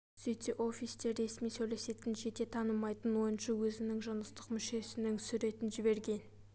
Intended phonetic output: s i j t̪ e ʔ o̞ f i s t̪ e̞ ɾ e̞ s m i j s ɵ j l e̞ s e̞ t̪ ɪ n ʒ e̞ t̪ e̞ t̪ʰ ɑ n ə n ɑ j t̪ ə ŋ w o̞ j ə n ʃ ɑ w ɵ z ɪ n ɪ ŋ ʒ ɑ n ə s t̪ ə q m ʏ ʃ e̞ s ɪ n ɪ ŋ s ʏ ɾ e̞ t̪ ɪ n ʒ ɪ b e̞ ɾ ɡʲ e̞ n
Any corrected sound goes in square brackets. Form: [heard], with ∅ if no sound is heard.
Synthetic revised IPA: s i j t̪ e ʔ o̞ f i s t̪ e̞ ɾ e̞ s m i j s ɵ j l e̞ s e̞ t̪ ɪ n ʒ e̞ t̪ e̞ t̪ʰ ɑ n ə [m] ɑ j t̪ ə [n] w o̞ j ə n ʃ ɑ w ɵ z ɪ n ɪ ŋ ʒ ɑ n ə s t̪ ə q m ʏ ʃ e̞ s ɪ n ɪ ŋ s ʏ ɾ e̞ t̪ ɪ n ʒ ɪ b e̞ ɾ ɡʲ e̞ n